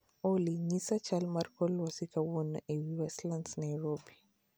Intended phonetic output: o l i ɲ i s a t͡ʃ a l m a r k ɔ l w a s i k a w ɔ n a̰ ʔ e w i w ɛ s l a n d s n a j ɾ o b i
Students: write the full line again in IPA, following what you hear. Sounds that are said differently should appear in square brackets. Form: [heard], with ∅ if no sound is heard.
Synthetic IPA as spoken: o l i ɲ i s a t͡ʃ a l m a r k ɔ l w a s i k a w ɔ n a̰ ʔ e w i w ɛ s l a n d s n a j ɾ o b i